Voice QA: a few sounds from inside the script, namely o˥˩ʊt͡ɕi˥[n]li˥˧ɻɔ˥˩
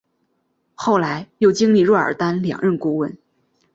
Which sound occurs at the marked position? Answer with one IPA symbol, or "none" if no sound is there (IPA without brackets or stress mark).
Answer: ŋ